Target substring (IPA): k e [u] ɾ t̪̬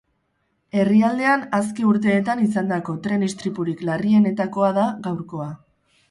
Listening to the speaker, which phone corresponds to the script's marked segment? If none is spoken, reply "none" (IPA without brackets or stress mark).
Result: u